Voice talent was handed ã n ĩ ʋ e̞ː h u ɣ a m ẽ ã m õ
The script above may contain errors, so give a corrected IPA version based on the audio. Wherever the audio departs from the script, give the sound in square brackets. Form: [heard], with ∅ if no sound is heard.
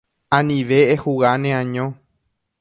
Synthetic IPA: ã n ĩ ʋ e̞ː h u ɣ a [n] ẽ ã [ɲ] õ